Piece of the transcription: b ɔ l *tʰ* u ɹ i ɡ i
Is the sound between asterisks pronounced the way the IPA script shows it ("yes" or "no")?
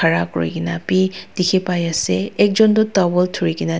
yes